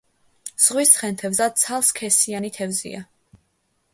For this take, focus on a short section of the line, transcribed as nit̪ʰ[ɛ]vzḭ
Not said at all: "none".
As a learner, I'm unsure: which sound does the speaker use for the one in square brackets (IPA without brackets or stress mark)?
ɛ